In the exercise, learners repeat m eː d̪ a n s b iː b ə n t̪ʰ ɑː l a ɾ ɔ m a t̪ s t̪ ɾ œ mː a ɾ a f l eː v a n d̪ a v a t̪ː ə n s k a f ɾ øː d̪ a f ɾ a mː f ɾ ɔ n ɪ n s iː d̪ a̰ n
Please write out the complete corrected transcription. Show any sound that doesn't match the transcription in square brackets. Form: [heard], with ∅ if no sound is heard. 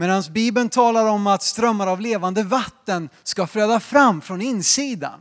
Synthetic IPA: m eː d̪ a n s b iː b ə n t̪ʰ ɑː l a ɾ ɔ m a t̪ s t̪ ɾ œ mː a ɾ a [v] l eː v a n d̪ [ə] v a t̪ː ə n s k a f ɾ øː d̪ a f ɾ a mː f ɾ ɔ n ɪ n s iː d̪ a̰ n